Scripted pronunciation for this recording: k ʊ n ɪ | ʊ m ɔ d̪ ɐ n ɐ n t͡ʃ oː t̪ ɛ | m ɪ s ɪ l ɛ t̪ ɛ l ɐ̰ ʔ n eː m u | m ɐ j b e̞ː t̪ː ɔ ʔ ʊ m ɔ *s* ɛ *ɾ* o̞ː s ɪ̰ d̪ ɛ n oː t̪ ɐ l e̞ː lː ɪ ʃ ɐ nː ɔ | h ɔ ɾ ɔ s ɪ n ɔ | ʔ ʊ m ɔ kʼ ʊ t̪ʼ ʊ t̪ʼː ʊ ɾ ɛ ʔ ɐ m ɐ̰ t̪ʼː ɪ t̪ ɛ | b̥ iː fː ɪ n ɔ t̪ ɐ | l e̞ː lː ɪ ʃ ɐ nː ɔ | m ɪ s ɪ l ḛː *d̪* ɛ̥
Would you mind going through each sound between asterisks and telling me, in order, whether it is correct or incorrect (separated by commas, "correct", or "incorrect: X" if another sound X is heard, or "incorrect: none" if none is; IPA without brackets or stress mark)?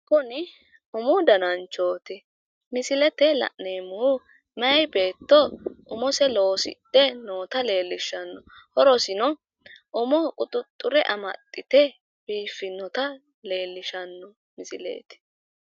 correct, incorrect: l, incorrect: t̪